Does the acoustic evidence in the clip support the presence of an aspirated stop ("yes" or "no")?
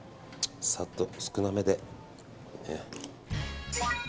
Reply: no